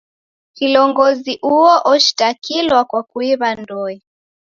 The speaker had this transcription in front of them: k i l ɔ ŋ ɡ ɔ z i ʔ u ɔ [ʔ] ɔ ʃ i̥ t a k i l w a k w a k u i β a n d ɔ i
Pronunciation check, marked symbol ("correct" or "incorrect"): correct